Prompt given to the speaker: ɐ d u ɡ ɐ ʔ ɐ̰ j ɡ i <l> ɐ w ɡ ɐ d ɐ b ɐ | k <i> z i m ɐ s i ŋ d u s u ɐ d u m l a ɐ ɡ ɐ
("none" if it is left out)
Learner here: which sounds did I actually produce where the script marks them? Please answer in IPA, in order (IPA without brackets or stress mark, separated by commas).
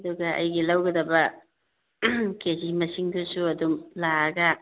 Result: l, e